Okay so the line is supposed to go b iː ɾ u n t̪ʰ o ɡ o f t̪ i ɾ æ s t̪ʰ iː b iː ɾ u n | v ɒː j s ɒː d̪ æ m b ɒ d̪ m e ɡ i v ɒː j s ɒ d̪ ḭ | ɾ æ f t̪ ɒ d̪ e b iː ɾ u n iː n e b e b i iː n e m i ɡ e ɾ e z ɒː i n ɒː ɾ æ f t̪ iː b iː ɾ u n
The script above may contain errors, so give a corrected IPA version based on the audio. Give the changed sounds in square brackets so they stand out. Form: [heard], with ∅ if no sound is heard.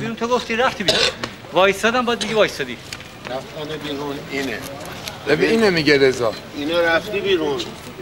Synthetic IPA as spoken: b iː ɾ u n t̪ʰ o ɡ o f t̪ i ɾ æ [f] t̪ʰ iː b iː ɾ u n | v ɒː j s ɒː d̪ æ m b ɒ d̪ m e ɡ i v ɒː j s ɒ d̪ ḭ | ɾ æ f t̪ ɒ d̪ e b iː ɾ u n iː n e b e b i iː n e m i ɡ e ɾ e z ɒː i n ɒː ɾ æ f t̪ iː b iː ɾ u n